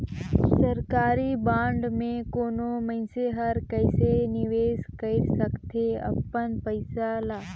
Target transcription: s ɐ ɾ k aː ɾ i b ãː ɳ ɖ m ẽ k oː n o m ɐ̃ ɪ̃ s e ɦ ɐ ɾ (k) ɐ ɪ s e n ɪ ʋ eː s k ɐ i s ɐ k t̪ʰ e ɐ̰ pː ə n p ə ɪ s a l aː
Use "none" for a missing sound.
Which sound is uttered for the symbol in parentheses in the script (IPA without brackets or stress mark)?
k